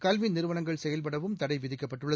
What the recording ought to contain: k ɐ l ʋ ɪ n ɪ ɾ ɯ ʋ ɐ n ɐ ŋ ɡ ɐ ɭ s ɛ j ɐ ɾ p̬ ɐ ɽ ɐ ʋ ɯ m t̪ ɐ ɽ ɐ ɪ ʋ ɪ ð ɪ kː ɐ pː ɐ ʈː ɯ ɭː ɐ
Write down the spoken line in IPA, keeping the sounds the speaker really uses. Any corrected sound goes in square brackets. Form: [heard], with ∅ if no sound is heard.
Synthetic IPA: k ɐ l ʋ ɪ n ɪ ɾ ɯ ʋ ɐ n ɐ ŋ ɡ ɐ ɭ s ɛ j ɐ [l] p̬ ɐ ɽ ɐ ʋ ɯ m t̪ ɐ ɽ ɐ ɪ ʋ ɪ ð ɪ kː ɐ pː ɐ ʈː ɯ ɭː ɐ

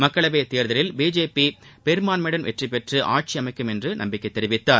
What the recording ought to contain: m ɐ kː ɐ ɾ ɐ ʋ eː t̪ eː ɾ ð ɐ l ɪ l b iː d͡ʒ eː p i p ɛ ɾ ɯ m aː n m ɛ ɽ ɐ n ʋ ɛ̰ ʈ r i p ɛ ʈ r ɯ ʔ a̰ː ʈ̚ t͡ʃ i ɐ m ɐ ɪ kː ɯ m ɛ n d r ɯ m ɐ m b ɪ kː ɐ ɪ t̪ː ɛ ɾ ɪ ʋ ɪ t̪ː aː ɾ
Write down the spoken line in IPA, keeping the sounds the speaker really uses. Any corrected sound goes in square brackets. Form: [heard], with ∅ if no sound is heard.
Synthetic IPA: m ɐ kː ɐ [ɭ] ɐ ʋ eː t̪ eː ɾ ð ɐ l ɪ l b iː d͡ʒ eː p i p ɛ ɾ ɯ m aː n m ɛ ɽ ɐ n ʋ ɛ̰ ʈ r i p ɛ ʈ r ɯ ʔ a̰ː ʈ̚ t͡ʃ i ɐ m ɐ ɪ kː ɯ m ɛ n d r ɯ [n] ɐ m b ɪ kː ɐ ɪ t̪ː ɛ ɾ ɪ ʋ ɪ t̪ː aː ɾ

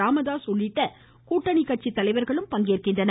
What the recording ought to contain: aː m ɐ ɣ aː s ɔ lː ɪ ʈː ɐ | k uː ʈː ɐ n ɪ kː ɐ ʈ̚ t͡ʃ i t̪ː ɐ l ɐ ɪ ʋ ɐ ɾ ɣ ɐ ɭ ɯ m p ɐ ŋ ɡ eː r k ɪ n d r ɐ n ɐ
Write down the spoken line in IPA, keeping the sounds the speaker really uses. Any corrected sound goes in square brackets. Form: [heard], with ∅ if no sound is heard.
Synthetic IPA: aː m ɐ [ð] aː s ɔ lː ɪ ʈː ɐ | k uː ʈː ɐ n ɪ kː ɐ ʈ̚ t͡ʃ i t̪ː ɐ l ɐ ɪ ʋ ɐ ɾ ɣ ɐ ɭ ɯ m p ɐ ŋ ɡ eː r k ɪ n d r ɐ n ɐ

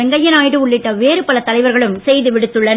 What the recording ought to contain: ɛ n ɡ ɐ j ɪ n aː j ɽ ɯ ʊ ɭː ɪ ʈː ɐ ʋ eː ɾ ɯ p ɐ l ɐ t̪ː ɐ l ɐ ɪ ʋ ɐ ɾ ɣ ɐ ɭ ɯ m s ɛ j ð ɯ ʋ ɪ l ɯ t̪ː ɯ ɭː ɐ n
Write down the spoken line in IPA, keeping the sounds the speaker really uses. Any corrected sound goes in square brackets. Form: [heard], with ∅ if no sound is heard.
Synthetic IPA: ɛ [ŋ] ɡ ɐ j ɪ n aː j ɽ ɯ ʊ ɭː ɪ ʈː ɐ ʋ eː ɾ ɯ p ɐ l ɐ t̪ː ɐ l ɐ ɪ ʋ ɐ ɾ ɣ ɐ ɭ ɯ m s ɛ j ð ɯ ʋ ɪ [ɽ] ɯ t̪ː ɯ ɭː ɐ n

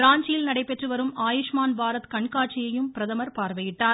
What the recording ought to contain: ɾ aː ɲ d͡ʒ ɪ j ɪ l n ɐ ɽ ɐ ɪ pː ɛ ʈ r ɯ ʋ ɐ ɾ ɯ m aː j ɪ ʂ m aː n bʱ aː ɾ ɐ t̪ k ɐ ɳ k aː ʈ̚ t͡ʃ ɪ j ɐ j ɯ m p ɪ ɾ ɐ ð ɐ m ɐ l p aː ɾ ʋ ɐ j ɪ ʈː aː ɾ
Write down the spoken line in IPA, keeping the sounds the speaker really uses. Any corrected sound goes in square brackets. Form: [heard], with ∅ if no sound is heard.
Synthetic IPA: ɾ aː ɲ d͡ʒ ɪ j ɪ l n ɐ ɽ ɐ ɪ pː ɛ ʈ r ɯ ʋ ɐ ɾ ɯ m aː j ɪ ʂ m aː n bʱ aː ɾ ɐ t̪ k ɐ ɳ k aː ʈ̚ t͡ʃ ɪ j ɐ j ɯ m p ɪ ɾ ɐ ð ɐ m ɐ [ɾ] p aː ɾ ʋ ɐ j ɪ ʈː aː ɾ

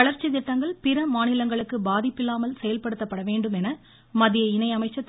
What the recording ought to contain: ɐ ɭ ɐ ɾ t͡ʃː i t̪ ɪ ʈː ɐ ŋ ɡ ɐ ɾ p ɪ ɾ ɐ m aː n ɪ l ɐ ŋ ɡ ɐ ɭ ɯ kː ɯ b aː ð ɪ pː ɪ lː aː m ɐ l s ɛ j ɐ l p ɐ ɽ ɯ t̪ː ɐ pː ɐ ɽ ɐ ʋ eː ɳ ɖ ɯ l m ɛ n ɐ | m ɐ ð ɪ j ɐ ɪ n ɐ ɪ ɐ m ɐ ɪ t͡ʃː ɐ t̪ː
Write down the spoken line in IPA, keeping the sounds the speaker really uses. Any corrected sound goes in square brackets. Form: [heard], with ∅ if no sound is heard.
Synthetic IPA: ɐ ɭ ɐ ɾ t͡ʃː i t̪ ɪ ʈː ɐ ŋ ɡ ɐ [ɭ] p ɪ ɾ ɐ m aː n ɪ l ɐ ŋ ɡ ɐ ɭ ɯ kː ɯ b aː ð ɪ pː ɪ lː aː m ɐ l s ɛ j ɐ l p ɐ ɽ ɯ t̪ː ɐ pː ɐ ɽ ɐ ʋ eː ɳ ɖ ɯ [∅] m ɛ n ɐ | m ɐ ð ɪ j ɐ ɪ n ɐ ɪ ɐ m ɐ ɪ t͡ʃː ɐ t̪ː

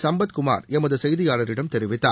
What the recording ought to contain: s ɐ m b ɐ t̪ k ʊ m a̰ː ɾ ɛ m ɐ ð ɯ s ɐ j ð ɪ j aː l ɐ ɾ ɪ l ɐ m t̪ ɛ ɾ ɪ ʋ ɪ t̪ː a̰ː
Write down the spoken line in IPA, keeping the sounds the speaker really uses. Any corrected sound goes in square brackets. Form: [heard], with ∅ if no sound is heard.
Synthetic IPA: s ɐ m b ɐ t̪ k ʊ m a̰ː ɾ ɛ m ɐ ð ɯ s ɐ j ð ɪ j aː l ɐ ɾ ɪ [ɽ] ɐ m t̪ ɛ ɾ ɪ ʋ ɪ t̪ː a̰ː

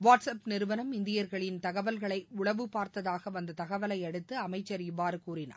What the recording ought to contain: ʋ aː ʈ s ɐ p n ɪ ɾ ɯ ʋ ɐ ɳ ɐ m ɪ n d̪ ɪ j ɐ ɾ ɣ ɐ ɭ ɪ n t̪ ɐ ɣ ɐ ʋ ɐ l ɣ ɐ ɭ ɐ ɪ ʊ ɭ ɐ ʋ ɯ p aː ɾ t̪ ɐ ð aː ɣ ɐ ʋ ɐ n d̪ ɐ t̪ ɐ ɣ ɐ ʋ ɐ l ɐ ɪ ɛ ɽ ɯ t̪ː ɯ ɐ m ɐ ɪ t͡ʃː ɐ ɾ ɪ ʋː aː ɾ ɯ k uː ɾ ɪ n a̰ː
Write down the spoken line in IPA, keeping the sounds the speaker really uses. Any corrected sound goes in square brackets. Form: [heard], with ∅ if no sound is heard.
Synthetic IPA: ʋ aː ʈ s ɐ p n ɪ ɾ ɯ ʋ ɐ [n] ɐ m ɪ n d̪ ɪ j ɐ ɾ ɣ ɐ ɭ ɪ n t̪ ɐ ɣ ɐ ʋ ɐ l ɣ ɐ ɭ ɐ ɪ ʊ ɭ ɐ ʋ ɯ p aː ɾ t̪ ɐ ð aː ɣ ɐ ʋ ɐ n d̪ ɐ t̪ ɐ ɣ ɐ ʋ ɐ l ɐ ɪ ɛ ɽ ɯ t̪ː ɯ ɐ m ɐ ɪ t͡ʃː ɐ ɾ ɪ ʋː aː ɾ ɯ k uː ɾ ɪ n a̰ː

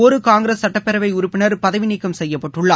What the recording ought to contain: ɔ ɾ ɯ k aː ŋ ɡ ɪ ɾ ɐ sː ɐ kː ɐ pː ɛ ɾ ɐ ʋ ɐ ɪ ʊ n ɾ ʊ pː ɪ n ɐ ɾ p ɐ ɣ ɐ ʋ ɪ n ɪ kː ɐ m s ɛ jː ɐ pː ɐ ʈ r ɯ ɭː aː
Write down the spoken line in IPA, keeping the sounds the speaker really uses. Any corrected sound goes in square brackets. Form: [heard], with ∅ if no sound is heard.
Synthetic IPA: ɔ ɾ ɯ k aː ŋ ɡ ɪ ɾ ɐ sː ɐ [ʈː] ɐ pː ɛ ɾ ɐ ʋ ɐ ɪ ʊ [∅] ɾ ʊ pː ɪ n ɐ ɾ p ɐ [ð] ɐ ʋ ɪ n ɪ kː ɐ m s ɛ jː ɐ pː ɐ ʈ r ɯ ɭː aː

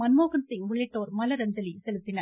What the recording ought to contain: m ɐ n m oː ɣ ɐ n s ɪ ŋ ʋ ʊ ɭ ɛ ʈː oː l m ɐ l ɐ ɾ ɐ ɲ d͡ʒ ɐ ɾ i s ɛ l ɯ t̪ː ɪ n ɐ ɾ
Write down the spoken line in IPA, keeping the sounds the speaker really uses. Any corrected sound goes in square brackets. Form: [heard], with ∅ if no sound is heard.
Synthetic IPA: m ɐ n m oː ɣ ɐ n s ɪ ŋ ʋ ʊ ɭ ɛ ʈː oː [ɾ] m ɐ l ɐ ɾ ɐ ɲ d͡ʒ ɐ [l] i s ɛ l ɯ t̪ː ɪ n ɐ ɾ

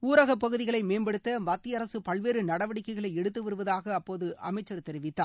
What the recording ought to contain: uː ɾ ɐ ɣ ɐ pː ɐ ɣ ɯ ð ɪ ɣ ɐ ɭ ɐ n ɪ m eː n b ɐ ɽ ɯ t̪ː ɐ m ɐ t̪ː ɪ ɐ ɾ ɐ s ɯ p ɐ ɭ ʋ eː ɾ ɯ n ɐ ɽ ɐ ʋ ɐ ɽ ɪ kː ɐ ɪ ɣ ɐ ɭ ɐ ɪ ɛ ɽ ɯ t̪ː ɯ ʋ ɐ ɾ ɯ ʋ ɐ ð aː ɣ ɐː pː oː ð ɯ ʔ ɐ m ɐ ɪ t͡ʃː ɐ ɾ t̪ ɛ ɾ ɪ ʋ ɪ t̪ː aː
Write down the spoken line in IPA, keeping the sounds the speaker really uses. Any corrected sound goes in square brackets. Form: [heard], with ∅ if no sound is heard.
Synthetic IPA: uː ɾ ɐ ɣ ɐ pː ɐ ɣ ɯ ð ɪ ɣ ɐ ɭ ɐ [∅] ɪ m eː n b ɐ ɽ ɯ t̪ː ɐ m ɐ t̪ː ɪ ɐ ɾ ɐ s ɯ p ɐ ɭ ʋ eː ɾ ɯ n ɐ ɽ ɐ ʋ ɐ ɽ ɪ kː ɐ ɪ ɣ ɐ ɭ ɐ ɪ ɛ ɽ ɯ t̪ː ɯ ʋ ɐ ɾ ɯ ʋ ɐ ð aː ɣ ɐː pː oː ð ɯ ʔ ɐ m ɐ ɪ t͡ʃː ɐ ɾ t̪ ɛ ɾ ɪ ʋ ɪ t̪ː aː

